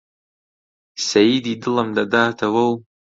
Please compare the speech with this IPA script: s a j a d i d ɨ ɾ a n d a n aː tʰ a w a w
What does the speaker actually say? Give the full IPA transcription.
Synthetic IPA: s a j i d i d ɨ l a m d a d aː tʰ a w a w